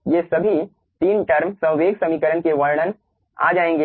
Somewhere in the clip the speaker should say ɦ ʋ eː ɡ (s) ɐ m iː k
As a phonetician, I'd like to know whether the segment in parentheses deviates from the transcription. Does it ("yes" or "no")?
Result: no